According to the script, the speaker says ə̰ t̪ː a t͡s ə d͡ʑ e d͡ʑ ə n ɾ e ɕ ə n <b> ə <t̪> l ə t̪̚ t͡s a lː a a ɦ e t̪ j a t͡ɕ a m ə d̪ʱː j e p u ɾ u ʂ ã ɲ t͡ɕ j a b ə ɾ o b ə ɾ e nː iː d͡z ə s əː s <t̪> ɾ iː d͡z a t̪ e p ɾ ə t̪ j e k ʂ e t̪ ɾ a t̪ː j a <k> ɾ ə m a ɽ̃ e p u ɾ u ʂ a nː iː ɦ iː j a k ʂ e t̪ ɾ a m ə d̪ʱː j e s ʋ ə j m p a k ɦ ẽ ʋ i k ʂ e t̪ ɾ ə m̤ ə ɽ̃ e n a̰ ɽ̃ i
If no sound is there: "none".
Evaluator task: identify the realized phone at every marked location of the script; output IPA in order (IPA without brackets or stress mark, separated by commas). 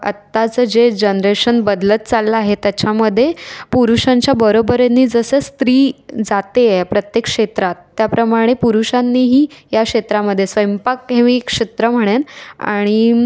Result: b, d̪, t̪, p